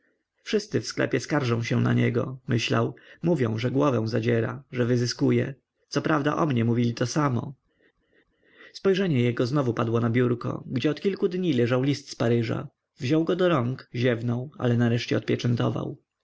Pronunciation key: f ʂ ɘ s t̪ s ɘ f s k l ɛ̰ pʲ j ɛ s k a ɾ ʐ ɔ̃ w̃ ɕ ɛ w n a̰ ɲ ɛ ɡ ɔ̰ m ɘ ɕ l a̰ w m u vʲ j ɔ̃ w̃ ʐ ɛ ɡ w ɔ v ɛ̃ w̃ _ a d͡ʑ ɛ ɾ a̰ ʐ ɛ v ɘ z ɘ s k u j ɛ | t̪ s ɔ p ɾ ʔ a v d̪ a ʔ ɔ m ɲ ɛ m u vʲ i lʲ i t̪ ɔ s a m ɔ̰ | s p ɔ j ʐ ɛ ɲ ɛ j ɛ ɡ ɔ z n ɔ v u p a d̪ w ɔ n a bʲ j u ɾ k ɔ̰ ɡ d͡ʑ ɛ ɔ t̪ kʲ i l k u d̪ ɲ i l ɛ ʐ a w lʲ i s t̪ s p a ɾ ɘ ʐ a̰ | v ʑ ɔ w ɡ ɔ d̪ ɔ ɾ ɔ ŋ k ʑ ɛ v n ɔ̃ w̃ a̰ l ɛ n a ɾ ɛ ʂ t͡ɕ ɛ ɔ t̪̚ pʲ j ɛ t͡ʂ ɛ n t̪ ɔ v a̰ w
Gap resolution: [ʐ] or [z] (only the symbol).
z